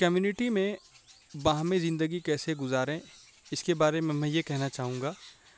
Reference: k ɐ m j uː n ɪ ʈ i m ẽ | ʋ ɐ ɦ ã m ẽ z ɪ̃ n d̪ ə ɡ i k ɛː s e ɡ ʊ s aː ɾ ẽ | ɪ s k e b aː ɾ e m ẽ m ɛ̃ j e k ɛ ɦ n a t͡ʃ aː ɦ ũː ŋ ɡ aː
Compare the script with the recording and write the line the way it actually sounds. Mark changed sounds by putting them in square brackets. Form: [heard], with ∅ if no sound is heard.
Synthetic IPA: k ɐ m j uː n ɪ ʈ i m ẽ | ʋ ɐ ɦ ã m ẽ z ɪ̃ n d̪ ə ɡ i k ɛː s e ɡ ʊ [z] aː ɾ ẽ | ɪ s k e b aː ɾ e m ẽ m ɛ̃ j e k ɛ ɦ n a t͡ʃ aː ɦ ũː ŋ ɡ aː